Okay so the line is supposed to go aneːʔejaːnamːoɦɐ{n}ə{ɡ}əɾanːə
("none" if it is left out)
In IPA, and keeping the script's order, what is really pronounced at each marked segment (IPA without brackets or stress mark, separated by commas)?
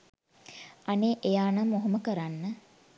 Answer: m, k